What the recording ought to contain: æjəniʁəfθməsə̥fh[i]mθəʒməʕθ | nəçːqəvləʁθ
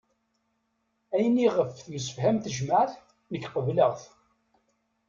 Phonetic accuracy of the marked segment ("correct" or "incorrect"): incorrect